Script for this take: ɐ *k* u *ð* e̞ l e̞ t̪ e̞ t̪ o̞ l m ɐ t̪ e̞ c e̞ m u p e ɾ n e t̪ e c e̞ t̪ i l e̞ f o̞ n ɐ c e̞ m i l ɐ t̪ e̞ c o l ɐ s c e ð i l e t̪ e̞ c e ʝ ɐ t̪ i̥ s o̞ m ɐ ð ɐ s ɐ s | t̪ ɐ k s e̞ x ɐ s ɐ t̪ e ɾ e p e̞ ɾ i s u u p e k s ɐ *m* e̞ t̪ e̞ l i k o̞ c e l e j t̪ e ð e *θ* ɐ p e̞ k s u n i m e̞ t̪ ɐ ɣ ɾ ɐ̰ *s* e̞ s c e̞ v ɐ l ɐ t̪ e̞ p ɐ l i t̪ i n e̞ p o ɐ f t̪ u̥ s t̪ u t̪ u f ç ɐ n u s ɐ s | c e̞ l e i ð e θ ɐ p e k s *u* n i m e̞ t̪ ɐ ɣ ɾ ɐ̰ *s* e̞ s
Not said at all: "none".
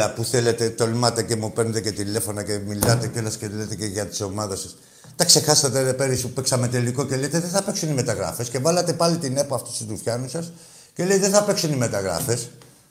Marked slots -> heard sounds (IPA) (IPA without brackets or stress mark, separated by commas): p, θ, m, θ, f, u, f